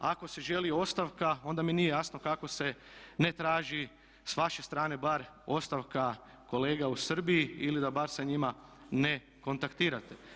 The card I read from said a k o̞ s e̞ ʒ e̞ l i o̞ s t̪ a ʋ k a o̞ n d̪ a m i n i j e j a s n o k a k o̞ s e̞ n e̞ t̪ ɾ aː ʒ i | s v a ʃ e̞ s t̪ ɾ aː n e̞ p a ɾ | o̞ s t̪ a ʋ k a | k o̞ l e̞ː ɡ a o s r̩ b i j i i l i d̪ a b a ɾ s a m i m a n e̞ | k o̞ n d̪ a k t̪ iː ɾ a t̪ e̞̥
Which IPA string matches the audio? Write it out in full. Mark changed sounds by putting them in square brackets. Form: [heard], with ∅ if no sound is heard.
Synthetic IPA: a k o̞ s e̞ ʒ e̞ l i o̞ s t̪ a ʋ k a o̞ n d̪ a m i n i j e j a s n o k a k o̞ s e̞ n e̞ t̪ ɾ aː ʒ i | s [ʋ] a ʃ e̞ s t̪ ɾ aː n e̞ [b] a ɾ | o̞ s t̪ a ʋ k a | k o̞ l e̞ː ɡ a [u] s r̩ b i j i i l i d̪ a b a ɾ s a [ɲ] i m a n e̞ | k o̞ n [t̪] a k t̪ iː ɾ a t̪ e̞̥

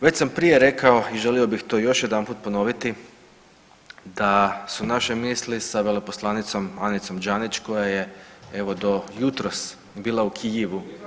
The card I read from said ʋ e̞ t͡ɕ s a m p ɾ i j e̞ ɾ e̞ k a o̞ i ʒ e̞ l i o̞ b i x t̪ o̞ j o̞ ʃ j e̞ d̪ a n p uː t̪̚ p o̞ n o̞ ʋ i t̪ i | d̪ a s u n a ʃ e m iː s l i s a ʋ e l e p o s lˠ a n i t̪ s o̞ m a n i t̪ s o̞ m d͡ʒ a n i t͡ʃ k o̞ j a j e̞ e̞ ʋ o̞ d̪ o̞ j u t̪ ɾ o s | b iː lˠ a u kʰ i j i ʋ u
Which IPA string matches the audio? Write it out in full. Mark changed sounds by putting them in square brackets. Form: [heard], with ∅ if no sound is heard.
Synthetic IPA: ʋ e̞ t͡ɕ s a m p ɾ i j e̞ ɾ e̞ k a o̞ i ʒ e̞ l i o̞ b i x t̪ o̞ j o̞ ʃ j e̞ d̪ a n p uː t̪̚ p o̞ n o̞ ʋ i t̪ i | d̪ a s u n a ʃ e m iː s l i s a ʋ e l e p o s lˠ a n i t̪ s o̞ m a n i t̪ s o̞ m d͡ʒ a n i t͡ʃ k o̞ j a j e̞ e̞ ʋ o̞ d̪ o̞ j u t̪ ɾ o s | b iː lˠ a u kʰ i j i ʋ u

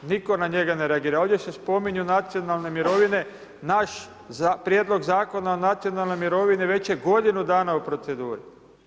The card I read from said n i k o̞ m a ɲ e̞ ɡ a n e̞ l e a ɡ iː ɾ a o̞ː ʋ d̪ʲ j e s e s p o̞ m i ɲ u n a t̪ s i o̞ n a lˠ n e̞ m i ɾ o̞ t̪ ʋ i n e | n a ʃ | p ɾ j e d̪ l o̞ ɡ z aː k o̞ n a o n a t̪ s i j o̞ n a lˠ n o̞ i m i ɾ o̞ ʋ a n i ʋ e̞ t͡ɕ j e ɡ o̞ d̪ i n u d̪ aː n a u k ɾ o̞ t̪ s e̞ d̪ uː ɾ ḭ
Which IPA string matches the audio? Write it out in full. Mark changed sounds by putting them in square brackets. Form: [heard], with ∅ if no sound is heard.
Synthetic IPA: n i k o̞ [n] a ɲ e̞ ɡ a n e̞ [ɾ] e a ɡ iː ɾ a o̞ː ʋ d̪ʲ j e s e s p o̞ m i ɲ u n a t̪ s i o̞ n a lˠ n e̞ m i ɾ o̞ [∅] ʋ i n e | n a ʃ | p ɾ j e d̪ l o̞ ɡ z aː k o̞ n a o n a t̪ s i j o̞ n a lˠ n o̞ [j] m i ɾ o̞ ʋ [i] n i ʋ e̞ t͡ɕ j e ɡ o̞ d̪ i n u d̪ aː n a u [p] ɾ o̞ t̪ s e̞ d̪ uː ɾ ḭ

